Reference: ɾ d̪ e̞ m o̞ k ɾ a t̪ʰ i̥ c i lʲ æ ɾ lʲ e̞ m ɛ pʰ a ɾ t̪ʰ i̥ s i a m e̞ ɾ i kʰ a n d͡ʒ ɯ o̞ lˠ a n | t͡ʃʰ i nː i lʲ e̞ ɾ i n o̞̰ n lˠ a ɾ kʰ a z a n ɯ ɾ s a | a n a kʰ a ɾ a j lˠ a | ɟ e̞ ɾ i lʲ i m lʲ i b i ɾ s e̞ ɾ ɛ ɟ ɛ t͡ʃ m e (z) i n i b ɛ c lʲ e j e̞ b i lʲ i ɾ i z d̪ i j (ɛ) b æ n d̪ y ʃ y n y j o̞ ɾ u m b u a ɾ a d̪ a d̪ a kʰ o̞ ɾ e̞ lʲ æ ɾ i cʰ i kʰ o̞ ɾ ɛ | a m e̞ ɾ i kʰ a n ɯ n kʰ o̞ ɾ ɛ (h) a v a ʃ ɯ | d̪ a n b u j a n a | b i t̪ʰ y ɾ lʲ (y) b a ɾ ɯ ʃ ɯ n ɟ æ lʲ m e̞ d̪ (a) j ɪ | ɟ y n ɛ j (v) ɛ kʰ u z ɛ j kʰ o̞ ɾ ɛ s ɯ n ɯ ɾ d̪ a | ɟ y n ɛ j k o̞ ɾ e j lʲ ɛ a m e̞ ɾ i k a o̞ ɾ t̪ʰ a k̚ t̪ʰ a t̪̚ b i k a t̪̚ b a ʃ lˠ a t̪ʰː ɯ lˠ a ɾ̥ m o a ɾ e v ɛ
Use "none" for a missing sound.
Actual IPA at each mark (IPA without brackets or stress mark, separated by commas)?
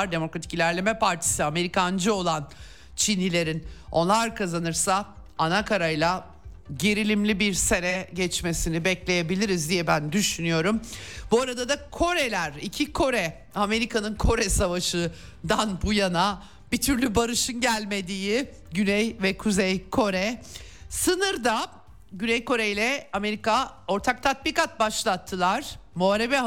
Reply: s, ɛ, s, y, i, v